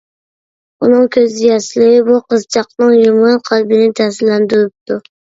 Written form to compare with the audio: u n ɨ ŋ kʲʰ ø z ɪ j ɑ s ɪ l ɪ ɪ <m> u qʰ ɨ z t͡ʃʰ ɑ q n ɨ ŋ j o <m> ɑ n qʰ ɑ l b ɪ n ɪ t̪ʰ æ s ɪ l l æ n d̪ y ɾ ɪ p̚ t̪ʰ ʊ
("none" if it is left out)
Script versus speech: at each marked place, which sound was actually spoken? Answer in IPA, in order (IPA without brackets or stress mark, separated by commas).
b, m